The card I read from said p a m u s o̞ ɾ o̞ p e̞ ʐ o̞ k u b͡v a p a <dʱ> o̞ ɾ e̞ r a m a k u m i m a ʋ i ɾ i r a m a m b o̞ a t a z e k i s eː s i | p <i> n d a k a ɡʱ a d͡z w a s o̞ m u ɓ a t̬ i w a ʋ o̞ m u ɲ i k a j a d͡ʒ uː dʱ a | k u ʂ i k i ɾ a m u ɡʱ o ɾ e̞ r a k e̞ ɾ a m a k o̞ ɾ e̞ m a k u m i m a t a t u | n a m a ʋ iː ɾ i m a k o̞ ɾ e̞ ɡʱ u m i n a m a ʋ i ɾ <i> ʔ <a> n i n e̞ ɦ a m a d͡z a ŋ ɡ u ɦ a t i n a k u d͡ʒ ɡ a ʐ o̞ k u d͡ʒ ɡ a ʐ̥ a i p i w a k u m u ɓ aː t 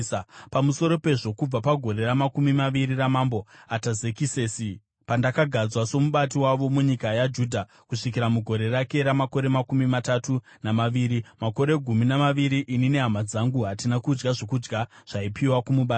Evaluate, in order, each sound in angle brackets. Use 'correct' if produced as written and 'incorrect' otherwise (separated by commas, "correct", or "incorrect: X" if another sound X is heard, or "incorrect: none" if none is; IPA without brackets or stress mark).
incorrect: ɡʱ, incorrect: a, correct, incorrect: i